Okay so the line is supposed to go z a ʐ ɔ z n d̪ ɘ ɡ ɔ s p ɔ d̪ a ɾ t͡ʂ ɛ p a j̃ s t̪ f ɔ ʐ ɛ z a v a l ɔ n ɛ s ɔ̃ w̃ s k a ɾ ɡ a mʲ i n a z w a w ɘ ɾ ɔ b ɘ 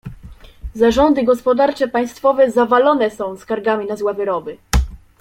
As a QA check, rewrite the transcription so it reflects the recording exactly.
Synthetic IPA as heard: z a ʐ ɔ n d̪ ɘ ɡ ɔ s p ɔ d̪ a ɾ t͡ʂ ɛ p a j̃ s t̪ f ɔ v ɛ z a v a l ɔ n ɛ s ɔ̃ w̃ s k a ɾ ɡ a mʲ i n a z w a v ɘ ɾ ɔ b ɘ